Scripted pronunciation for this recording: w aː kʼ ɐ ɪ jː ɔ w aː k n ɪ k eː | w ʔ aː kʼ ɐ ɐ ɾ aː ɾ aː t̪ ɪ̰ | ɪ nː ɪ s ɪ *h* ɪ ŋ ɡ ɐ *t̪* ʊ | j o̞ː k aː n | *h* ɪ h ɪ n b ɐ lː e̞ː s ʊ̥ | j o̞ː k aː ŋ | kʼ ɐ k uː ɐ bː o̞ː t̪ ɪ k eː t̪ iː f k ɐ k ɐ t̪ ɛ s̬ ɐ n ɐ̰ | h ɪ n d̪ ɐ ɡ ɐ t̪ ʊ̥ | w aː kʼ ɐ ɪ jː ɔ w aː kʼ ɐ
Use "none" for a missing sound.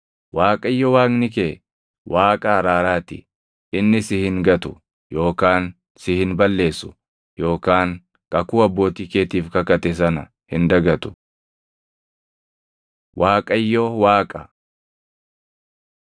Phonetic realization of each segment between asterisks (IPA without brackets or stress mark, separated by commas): h, t̪, s